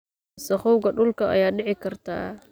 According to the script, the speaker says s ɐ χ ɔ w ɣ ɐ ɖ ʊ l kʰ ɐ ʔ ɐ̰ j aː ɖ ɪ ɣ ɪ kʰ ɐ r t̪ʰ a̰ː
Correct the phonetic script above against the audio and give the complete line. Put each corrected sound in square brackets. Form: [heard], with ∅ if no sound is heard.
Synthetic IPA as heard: s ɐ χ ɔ w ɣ ɐ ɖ ʊ l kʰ ɐ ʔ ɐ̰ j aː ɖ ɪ [ʕ] ɪ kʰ ɐ r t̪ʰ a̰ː